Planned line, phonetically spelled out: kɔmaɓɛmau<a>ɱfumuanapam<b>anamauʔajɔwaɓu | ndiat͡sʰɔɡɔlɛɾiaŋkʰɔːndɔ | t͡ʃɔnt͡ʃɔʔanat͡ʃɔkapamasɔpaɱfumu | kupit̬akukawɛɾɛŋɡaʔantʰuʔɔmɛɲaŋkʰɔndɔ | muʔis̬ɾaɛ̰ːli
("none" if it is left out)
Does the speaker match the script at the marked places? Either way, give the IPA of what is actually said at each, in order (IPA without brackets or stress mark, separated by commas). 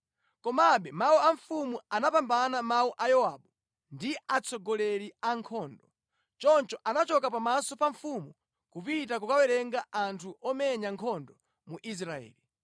a, b